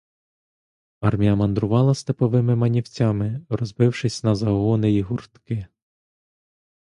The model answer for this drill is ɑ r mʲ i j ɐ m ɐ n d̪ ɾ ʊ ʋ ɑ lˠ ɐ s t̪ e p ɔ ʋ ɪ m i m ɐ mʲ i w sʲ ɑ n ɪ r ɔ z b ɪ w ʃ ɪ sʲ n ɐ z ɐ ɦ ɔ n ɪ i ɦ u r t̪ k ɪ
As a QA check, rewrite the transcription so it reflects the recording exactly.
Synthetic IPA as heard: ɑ r mʲ i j ɐ m ɐ n d̪ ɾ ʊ ʋ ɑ lˠ ɐ s t̪ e p ɔ ʋ ɪ m ɪ m ɐ nʲ i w t͡sʲ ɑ m ɪ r ɔ z b ɪ w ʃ ɪ sʲ n ɐ z ɐ ɦ ɔ n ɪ i ɦ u r t̪ k ɪ